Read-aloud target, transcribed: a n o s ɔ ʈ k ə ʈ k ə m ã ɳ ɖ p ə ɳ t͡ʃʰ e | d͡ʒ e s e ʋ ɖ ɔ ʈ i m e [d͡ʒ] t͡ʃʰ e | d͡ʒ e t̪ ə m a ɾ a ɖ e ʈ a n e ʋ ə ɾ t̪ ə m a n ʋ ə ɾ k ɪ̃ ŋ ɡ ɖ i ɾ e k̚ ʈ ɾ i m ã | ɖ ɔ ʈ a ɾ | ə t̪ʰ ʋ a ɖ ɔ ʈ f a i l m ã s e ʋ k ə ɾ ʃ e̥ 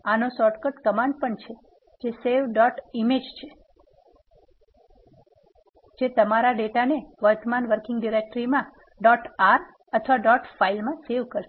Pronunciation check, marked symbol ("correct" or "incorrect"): correct